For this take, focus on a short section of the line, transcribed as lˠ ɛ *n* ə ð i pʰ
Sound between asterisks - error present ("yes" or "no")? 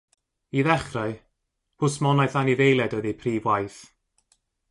yes